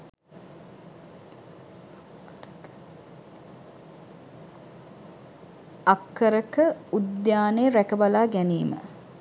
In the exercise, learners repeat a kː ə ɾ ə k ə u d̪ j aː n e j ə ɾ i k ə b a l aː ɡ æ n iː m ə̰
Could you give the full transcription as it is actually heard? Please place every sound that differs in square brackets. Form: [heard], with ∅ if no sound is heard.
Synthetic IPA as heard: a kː ə ɾ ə k ə u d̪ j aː n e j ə ɾ [æ] k ə b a l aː ɡ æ n iː m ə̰